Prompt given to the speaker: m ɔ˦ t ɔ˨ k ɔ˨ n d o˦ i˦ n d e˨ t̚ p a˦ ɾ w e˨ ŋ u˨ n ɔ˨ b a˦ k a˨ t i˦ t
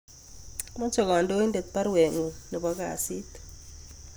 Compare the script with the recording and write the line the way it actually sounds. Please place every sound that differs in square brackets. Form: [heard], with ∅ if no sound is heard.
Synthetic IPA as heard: m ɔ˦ [t͡ʃ] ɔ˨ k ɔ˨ n d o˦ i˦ n d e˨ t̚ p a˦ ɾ w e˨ ŋ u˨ n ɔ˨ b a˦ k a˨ [s] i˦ t